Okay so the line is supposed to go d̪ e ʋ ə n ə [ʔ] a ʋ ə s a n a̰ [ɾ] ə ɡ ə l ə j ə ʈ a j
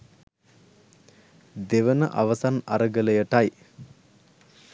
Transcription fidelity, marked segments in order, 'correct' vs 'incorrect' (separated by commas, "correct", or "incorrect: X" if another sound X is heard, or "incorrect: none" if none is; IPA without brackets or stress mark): correct, correct